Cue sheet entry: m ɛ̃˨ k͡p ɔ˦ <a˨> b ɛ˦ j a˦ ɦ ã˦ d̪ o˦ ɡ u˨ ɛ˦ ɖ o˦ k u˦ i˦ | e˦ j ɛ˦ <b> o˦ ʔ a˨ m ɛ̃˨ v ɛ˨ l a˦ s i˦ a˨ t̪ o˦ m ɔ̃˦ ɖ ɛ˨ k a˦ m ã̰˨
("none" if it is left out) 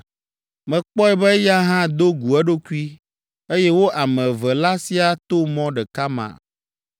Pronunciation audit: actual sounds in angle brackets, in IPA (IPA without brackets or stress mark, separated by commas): ɛ˨, w